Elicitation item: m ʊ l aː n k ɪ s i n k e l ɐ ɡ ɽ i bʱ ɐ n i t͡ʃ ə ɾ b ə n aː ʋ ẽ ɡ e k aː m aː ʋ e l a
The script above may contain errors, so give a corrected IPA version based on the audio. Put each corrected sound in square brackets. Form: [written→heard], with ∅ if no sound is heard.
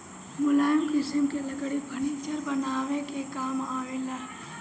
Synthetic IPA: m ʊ l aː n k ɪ s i [n→m] k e l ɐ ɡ ɽ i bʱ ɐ n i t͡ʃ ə ɾ b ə n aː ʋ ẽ [ɡ→k] e k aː m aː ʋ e l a